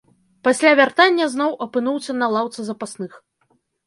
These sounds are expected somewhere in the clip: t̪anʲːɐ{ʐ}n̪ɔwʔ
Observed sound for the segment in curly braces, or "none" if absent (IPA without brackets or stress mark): z